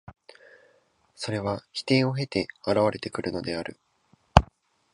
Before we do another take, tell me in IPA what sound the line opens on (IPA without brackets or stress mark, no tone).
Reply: s